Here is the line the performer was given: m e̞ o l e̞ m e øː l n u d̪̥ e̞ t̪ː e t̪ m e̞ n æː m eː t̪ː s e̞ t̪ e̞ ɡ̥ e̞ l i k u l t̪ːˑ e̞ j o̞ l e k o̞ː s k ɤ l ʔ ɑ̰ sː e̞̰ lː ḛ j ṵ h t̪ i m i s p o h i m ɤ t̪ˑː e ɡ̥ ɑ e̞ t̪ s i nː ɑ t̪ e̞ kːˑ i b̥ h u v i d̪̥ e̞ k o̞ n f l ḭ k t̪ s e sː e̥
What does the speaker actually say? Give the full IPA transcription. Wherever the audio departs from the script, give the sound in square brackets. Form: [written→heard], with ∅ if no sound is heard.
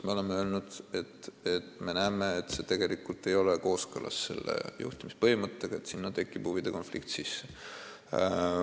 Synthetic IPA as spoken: m e̞ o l e̞ m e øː l n u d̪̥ e̞ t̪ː e t̪ m e̞ n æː m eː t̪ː s e̞ t̪ e̞ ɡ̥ e̞ l i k u l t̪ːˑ e̞ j o̞ l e k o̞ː s k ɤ l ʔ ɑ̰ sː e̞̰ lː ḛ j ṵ h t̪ i m i s p [o→ɤ] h i m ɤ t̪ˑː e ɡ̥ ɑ e̞ t̪ s i nː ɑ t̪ e̞ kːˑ i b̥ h u v i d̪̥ e̞ k o̞ n f l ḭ k t̪ s [e→i] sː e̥